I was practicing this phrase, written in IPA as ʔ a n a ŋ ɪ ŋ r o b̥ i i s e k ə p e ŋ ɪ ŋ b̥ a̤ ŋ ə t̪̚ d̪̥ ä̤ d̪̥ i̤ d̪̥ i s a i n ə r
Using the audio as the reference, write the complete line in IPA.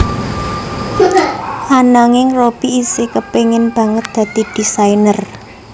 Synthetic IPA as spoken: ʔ a n a ŋ ɪ ŋ r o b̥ i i s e k ə p e ŋ ɪ n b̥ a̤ ŋ ə t̪̚ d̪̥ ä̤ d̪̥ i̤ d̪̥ i s a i n ə r